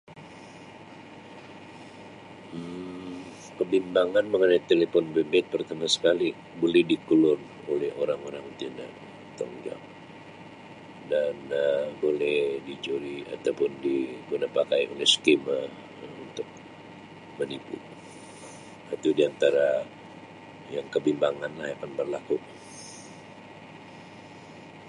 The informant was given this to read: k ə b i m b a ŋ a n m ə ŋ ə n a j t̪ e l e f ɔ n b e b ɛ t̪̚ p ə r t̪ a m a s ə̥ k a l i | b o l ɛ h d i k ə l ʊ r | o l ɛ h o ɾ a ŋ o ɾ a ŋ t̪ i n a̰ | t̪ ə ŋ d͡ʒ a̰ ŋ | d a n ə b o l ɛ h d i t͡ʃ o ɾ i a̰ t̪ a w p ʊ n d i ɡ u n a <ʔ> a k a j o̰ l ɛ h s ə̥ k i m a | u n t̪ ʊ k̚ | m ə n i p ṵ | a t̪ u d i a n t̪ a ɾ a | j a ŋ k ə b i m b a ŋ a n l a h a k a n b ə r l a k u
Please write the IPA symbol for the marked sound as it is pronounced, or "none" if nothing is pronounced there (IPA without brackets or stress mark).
p